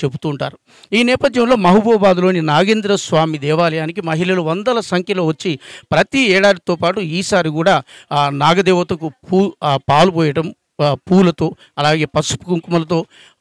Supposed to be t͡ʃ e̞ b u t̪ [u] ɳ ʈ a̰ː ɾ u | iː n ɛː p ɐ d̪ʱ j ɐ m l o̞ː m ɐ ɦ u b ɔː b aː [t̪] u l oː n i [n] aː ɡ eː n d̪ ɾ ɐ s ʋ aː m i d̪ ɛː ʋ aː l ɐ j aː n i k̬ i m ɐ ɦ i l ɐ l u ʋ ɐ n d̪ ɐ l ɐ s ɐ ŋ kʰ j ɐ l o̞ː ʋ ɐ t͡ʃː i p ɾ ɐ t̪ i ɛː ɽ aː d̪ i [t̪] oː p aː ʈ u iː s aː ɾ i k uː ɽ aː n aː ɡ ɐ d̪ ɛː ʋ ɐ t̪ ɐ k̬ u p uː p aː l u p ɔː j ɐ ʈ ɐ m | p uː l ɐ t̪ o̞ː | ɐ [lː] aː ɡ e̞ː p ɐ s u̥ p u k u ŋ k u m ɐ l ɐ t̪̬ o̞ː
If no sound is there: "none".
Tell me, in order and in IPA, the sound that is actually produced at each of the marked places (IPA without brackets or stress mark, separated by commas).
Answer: uː, d̪, n, t̪, l